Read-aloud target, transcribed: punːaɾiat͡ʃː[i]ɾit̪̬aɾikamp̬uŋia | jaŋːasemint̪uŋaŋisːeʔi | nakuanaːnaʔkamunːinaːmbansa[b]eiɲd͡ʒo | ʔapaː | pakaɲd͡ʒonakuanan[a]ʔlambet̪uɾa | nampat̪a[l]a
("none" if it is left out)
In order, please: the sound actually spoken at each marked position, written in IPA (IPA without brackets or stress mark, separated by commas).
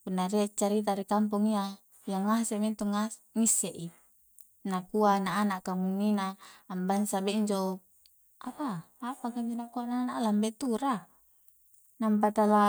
a, b, a, l